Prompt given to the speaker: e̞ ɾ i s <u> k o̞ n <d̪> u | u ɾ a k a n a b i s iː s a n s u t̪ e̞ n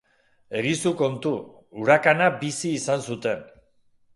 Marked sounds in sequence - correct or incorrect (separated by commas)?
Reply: correct, incorrect